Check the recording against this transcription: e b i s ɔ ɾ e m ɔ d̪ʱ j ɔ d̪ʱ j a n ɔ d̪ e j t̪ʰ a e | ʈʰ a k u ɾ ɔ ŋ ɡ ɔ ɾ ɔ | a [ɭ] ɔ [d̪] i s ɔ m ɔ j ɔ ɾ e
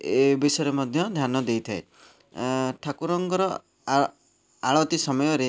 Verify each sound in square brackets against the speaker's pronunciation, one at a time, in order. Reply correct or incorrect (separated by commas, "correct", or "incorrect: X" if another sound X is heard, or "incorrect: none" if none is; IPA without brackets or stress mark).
correct, incorrect: t̪